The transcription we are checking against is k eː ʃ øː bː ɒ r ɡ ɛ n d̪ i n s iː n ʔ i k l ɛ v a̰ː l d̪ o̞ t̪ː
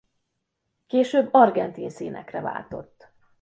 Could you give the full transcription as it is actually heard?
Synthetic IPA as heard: k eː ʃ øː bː ɒ r ɡ ɛ n t̪ i n s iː n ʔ ɛ k r ɛ v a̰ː l t̪ o̞ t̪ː

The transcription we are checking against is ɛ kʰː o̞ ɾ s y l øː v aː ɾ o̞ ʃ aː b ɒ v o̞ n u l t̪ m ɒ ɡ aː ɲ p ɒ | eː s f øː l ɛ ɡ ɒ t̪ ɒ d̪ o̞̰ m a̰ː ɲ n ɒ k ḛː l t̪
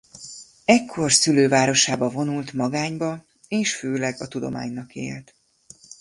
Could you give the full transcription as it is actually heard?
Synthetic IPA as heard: ɛ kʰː o̞ r s y l øː v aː ɾ o̞ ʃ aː b ɒ v o̞ n u l t̪ m ɒ ɡ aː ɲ b ɒ | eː ʃ f øː l ɛ ɡ ɒ t̪ u d̪ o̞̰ m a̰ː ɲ n ɒ k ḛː l t̪

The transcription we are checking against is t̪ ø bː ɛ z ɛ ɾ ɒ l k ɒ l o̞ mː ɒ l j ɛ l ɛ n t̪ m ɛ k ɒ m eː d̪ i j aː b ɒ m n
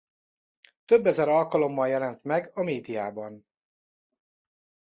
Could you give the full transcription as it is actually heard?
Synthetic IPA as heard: t̪ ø bː ɛ z ɛ ɾ ɒ l k ɒ l o̞ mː ɒ l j ɛ l ɛ n t̪ m ɛ ɡ ɒ m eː d̪ i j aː b ɒ n

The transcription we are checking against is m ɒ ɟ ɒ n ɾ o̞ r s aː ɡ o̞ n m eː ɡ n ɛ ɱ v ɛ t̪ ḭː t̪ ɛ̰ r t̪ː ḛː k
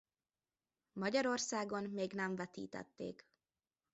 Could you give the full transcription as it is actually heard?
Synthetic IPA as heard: m ɒ ɟ ɒ ɾ o̞ r s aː ɡ o̞ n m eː ɡ n ɛ ɱ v ɛ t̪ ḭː t̪ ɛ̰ t̪ː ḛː k

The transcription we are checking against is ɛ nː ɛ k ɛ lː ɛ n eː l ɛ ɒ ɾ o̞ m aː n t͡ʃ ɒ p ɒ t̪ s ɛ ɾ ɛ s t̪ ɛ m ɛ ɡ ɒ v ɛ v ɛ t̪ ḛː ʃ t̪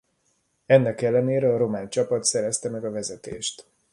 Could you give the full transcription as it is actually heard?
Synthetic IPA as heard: ɛ nː ɛ k ɛ lː ɛ n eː ɾ ɛ ɒ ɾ o̞ m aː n t͡ʃ ɒ p ɒ t̪ s ɛ ɾ ɛ s t̪ ɛ m ɛ ɡ ɒ v ɛ z ɛ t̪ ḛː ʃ t̪

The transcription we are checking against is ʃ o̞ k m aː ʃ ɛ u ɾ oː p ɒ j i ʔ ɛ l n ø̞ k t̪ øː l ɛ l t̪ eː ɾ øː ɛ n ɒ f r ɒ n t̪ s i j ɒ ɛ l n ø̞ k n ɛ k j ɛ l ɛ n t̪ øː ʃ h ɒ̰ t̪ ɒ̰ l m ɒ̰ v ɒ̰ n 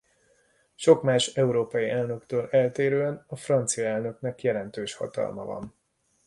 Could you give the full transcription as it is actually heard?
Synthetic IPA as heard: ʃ o̞ k m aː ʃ ɛ u ɾ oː p ɒ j i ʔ ɛ l n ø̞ k t̪ øː l ɛ l t̪ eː ɾ øː ɛ n ɒ f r ɒ n t̪ s i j ɒ ɛ l n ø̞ k n ɛ k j ɛ l ɛ n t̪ øː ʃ h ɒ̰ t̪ ɒ̰ l m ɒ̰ v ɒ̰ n

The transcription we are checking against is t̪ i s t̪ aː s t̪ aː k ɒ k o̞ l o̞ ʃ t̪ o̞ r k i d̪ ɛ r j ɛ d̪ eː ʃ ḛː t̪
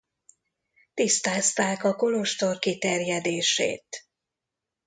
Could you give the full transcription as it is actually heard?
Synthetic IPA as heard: t̪ i s t̪ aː s t̪ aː k ɒ k o̞ l o̞ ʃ t̪ o̞ r k i t̪ ɛ r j ɛ d̪ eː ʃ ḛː t̪

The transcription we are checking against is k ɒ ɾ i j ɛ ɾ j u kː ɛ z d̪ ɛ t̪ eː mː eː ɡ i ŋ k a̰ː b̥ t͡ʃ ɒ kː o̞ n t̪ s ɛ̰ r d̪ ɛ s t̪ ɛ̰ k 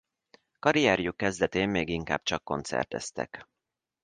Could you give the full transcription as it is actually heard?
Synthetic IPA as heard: k ɒ ɾ i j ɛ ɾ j u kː ɛ z d̪ ɛ t̪ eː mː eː ɡ i ŋ k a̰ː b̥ t͡ʃ ɒ kː o̞ n t̪ s ɛ̰ r t̪ ɛ s t̪ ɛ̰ k

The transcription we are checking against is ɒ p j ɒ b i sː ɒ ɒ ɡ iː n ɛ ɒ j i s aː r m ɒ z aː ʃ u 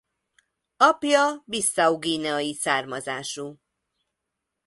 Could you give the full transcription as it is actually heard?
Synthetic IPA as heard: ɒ p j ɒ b i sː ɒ u ɡ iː n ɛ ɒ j i s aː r m ɒ z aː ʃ u

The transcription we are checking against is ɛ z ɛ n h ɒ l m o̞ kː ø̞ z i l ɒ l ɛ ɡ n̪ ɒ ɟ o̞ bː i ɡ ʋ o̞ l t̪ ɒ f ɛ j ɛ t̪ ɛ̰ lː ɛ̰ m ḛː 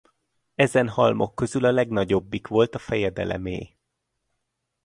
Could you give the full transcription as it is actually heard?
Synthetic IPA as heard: ɛ z ɛ n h ɒ l m o̞ kː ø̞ z y l ɒ l ɛ ɡ n̪ ɒ ɟ o̞ bː i k ʋ o̞ l t̪ ɒ f ɛ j ɛ d̪ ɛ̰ l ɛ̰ m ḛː

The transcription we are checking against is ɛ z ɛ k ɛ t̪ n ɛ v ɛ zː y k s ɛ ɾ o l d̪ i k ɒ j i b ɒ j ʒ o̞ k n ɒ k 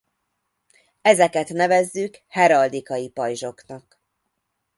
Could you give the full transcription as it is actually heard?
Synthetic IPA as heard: ɛ z ɛ k ɛ t̪ n ɛ v ɛ zː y k h ɛ ɾ ɒ l d̪ i k ɒ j i p ɒ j ʒ o̞ k n ɒ k

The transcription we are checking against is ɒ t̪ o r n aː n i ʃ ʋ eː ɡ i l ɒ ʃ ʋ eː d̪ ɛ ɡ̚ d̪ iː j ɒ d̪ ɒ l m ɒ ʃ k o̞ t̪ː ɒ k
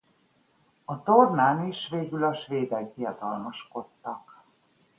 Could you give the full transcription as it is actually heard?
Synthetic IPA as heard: ɒ t̪ o r n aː n i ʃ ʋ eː ɡ y l ɒ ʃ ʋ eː d̪ ɛ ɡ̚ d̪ i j ɒ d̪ ɒ l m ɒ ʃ k o̞ t̪ː ɒ k

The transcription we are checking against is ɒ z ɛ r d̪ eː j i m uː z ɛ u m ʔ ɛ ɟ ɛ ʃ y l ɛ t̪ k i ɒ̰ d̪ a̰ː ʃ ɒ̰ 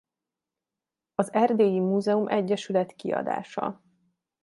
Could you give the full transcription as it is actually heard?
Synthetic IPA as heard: ɒ z ɛ r d̪ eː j i m uː z ɛ u m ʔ ɛ ɟː ɛ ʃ y l ɛ t̪ k i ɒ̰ d̪ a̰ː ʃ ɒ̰

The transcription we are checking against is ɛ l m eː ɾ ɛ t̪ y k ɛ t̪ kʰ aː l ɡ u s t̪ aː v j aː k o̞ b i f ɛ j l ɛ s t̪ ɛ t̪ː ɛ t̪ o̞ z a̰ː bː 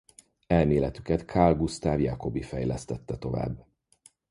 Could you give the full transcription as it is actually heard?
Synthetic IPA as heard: ɛ l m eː l ɛ t̪ y k ɛ t̪ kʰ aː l ɡ u s t̪ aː v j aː k o̞ b i f ɛ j l ɛ s t̪ ɛ t̪ː ɛ t̪ o̞ v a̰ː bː

